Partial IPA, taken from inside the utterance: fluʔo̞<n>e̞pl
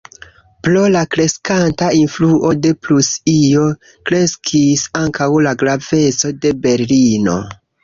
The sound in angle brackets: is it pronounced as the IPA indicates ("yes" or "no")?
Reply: no